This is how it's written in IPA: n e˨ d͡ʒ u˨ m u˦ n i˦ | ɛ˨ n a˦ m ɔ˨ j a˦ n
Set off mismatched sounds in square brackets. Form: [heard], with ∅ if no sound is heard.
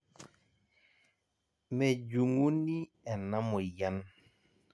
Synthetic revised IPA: [m] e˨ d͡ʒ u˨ [ŋ] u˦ n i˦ | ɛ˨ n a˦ m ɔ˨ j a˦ n